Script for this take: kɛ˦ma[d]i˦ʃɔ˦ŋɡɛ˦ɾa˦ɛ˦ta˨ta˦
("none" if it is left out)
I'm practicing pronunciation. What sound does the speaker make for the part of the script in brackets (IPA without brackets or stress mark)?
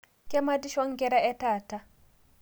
d